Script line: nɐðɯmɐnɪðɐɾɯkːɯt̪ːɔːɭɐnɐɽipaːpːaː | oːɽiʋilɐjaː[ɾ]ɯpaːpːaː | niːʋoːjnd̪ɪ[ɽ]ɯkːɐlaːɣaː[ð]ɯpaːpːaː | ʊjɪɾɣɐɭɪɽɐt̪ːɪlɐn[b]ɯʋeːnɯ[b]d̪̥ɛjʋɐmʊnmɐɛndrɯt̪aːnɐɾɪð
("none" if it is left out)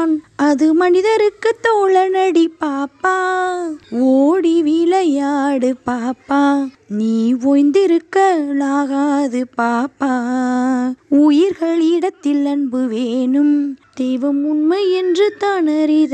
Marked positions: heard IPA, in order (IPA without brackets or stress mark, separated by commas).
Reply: ɽ, ɾ, ð, b, m